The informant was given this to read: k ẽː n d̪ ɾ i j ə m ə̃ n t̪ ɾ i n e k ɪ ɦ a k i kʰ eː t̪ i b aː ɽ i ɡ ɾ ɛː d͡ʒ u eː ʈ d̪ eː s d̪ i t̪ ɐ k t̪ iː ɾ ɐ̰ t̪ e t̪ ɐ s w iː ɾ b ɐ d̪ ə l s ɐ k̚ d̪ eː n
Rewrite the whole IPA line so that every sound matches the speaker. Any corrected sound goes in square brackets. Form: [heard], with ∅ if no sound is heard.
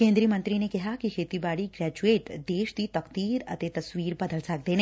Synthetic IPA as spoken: k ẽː n d̪ ɾ i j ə m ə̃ n t̪ ɾ i n e k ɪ ɦ a k i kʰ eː t̪ i b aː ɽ i ɡ ɾ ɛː d͡ʒ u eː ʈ d̪ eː [ʃ] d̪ i t̪ ɐ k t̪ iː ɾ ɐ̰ t̪ e t̪ ɐ s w iː ɾ b ɐ d̪ ə l s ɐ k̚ d̪ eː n